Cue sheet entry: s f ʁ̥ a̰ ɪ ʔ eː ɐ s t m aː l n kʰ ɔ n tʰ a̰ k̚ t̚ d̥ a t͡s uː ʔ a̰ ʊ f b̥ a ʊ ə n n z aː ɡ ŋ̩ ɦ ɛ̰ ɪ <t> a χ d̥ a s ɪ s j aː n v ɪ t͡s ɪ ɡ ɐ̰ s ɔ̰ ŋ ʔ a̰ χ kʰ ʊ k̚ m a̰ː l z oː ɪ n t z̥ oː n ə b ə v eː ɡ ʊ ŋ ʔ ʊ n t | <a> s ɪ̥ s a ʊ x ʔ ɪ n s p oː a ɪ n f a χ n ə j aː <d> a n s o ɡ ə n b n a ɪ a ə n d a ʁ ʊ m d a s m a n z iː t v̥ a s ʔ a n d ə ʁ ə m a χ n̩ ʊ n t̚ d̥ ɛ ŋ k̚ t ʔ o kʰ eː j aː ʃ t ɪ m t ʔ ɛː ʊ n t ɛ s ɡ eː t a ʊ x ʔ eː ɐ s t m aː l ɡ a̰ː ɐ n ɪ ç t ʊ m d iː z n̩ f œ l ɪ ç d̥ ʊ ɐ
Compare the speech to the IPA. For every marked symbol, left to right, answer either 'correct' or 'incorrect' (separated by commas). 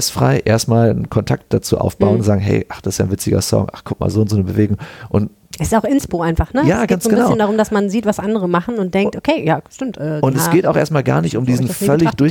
incorrect, incorrect, incorrect